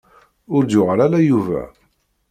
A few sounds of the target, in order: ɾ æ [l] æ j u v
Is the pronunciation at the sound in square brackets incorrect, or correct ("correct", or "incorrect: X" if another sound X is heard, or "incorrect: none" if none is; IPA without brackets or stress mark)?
correct